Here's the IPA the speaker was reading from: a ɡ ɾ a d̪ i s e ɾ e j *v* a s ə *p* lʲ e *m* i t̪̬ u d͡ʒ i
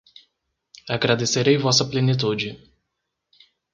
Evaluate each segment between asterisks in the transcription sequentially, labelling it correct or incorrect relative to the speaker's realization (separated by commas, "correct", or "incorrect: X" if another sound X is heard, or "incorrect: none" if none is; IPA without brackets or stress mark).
correct, correct, incorrect: n